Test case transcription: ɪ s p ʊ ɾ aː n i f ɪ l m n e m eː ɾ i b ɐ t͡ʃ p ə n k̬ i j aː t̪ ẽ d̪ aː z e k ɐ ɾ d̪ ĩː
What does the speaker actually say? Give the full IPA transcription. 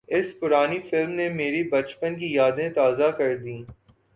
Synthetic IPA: ɪ s p ʊ ɾ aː n i f ɪ l m n e m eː ɾ i b ɐ t͡ʃ p ə n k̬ i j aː d̪ ẽ t̪ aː z a k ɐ ɾ d̪ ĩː